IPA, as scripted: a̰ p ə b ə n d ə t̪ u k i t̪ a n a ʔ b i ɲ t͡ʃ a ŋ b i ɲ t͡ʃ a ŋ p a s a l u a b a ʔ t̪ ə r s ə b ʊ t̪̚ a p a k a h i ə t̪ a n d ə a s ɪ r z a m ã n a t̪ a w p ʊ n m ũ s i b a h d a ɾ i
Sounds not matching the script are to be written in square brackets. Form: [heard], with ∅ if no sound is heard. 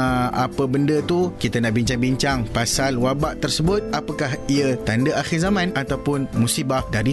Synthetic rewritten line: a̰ p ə b ə n d ə t̪ u k i t̪ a n a ʔ b i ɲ t͡ʃ a ŋ b i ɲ t͡ʃ a ŋ p a s a l [w] a b a ʔ t̪ ə r s ə b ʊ t̪̚ a p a k a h i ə t̪ a n d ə a [x] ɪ r z a m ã n a t̪ a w p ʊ n m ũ s i b a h d a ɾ i